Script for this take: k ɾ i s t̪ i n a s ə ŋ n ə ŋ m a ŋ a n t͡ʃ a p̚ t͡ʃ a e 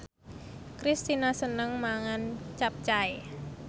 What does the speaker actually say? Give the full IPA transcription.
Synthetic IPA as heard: k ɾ i s t̪ i n a s ə n ə ŋ m a ŋ a n t͡ʃ a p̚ t͡ʃ a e